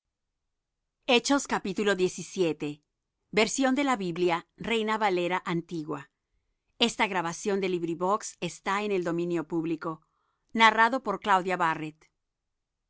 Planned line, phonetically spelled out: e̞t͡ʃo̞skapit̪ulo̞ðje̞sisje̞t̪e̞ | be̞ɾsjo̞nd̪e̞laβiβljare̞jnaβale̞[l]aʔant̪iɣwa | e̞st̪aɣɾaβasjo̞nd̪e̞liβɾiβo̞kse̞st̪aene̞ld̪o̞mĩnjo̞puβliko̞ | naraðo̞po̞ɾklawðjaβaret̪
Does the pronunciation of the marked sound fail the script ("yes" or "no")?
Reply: yes